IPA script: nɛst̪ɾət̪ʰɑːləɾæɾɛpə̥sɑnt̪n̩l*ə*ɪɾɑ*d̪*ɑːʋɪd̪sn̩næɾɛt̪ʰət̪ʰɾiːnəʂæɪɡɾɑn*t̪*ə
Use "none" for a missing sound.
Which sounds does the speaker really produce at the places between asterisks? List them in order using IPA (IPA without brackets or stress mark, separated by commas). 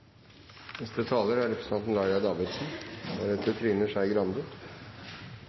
ɑ, d̪, d̪